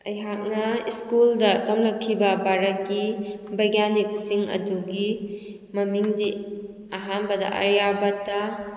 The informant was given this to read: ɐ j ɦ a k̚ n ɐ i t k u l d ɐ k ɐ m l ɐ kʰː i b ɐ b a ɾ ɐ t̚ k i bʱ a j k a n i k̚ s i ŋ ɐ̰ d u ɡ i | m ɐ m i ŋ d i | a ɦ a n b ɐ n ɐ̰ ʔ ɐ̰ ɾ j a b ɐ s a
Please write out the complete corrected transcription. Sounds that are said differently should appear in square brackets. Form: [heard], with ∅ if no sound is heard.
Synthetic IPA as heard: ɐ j ɦ a k̚ n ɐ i [s] k u l d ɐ k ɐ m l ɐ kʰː i b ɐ b a ɾ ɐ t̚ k i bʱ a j [ɡ] a n i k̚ s i ŋ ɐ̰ d u ɡ i | m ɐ m i ŋ d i | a ɦ a n b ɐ [d] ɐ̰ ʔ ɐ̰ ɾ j a b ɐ [t] a